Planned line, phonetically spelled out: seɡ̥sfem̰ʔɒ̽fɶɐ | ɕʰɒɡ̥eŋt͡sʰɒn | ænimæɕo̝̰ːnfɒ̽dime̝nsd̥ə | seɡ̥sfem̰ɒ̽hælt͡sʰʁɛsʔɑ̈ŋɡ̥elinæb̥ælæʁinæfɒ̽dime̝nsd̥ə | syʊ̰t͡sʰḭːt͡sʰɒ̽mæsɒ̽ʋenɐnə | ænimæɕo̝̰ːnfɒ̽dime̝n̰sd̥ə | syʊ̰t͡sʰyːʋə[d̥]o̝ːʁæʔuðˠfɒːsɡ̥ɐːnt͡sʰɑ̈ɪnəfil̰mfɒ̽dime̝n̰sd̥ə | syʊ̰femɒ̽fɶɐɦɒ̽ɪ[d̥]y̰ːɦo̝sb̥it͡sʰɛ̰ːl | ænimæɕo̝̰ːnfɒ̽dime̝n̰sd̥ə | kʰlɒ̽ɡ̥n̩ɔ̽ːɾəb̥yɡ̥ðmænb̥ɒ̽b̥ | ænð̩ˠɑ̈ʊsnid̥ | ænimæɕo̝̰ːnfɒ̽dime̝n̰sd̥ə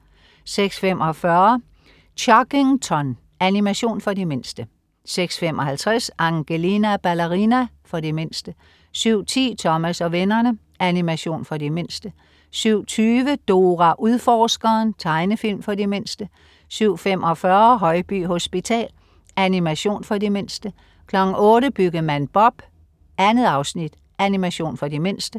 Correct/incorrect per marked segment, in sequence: correct, incorrect: b̥

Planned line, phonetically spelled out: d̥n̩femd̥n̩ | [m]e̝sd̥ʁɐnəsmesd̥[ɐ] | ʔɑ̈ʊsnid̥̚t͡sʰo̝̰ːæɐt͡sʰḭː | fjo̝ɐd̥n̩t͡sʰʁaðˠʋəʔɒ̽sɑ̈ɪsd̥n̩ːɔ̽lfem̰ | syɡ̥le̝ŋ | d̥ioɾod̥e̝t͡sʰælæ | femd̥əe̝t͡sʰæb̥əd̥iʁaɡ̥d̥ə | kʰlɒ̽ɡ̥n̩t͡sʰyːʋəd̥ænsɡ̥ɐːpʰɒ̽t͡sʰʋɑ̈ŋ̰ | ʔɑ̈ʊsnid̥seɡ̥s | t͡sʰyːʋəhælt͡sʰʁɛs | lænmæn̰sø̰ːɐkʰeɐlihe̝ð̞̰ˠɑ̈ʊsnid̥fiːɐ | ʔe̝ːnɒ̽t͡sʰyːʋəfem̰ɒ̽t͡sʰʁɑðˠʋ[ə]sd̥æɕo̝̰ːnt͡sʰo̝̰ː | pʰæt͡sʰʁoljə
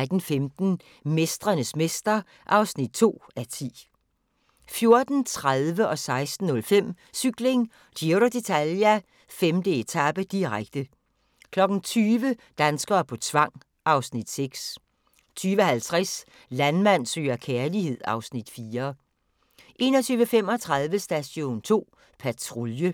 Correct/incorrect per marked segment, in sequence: correct, correct, correct

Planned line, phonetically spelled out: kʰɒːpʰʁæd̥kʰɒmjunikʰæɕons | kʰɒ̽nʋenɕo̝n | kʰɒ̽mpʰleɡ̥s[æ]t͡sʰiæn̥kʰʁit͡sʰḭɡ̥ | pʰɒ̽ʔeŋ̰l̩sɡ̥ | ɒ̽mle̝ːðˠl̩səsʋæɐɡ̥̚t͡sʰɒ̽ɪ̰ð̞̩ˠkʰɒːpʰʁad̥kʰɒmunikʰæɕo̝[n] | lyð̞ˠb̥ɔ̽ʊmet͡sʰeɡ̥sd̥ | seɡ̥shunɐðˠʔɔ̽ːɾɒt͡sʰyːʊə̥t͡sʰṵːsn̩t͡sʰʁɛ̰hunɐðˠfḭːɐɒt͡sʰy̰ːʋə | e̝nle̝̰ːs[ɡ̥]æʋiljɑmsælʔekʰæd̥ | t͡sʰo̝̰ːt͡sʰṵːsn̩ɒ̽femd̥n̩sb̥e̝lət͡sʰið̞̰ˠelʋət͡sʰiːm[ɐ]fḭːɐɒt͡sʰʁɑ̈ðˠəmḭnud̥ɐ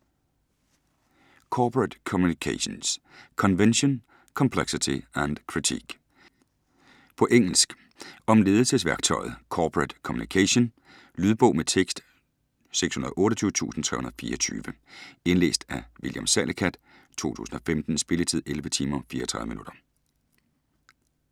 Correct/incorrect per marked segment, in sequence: incorrect: i, correct, incorrect: d̥, correct

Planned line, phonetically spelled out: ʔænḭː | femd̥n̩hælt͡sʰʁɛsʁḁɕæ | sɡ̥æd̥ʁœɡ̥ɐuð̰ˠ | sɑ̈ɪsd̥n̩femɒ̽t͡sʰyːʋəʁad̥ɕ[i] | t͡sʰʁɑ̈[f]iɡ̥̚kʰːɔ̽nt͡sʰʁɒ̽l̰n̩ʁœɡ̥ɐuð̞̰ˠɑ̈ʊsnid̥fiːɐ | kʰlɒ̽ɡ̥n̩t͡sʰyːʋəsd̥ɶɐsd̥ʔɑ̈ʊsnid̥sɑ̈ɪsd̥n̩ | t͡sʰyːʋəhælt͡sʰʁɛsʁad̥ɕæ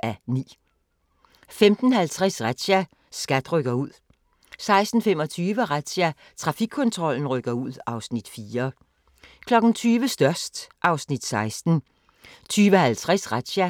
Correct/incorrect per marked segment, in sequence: incorrect: æ, correct

